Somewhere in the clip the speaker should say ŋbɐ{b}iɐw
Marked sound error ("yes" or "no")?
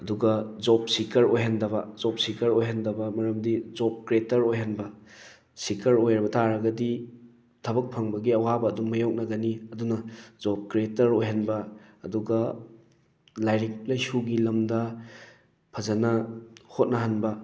yes